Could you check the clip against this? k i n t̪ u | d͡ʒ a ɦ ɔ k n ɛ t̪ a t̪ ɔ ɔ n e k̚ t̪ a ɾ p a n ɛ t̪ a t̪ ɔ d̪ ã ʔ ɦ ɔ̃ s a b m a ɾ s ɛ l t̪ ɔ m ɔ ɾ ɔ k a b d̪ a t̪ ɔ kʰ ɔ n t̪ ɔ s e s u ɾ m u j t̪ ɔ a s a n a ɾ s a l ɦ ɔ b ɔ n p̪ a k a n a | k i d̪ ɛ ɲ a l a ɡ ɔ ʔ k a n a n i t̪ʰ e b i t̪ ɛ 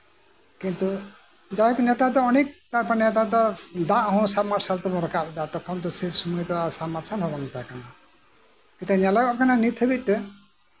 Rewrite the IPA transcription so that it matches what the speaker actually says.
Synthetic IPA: k i n t̪ u | d͡ʒ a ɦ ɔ k n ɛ t̪ a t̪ ɔ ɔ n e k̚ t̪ a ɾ p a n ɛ t̪ a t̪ ɔ d̪ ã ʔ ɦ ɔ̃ s a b m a ɾ s a l t̪ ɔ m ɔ ɾ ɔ k a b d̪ a t̪ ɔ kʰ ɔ n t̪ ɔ s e s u m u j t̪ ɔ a s a m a ɾ s a l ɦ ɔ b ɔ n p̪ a k a n a | k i t̪ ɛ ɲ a l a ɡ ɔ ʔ k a n a n i t̪ʰ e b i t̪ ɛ